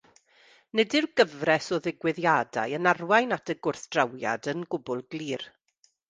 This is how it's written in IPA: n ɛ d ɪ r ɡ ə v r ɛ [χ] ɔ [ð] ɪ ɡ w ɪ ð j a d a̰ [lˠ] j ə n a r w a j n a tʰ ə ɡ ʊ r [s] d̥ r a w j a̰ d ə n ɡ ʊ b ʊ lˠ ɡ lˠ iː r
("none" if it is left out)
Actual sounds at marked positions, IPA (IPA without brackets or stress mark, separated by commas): s, ð, none, θ